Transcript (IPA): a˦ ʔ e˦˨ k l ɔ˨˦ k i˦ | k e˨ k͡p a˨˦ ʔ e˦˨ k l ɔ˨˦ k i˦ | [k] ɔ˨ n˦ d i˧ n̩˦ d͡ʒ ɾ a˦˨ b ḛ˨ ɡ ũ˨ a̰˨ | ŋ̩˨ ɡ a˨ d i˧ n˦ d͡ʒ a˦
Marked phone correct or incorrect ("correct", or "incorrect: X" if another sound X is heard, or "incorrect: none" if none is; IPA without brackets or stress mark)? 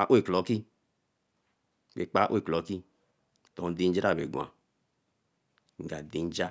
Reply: incorrect: t